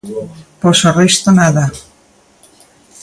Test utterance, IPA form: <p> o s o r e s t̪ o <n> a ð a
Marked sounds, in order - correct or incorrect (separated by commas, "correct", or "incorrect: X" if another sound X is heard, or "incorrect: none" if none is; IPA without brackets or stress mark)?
correct, correct